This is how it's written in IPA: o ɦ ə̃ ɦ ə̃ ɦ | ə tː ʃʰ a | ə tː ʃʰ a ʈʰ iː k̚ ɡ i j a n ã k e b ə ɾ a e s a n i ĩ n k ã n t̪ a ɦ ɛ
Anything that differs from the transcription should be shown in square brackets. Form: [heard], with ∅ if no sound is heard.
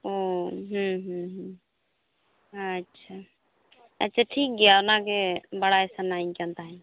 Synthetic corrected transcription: o ɦ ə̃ ɦ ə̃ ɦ | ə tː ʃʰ a | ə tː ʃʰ a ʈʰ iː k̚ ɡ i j a n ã k e b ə [ɽ] a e s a n [a] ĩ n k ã n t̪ a ɦ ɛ